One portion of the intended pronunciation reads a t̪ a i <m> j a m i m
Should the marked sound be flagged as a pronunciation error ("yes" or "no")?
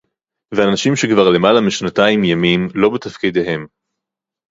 no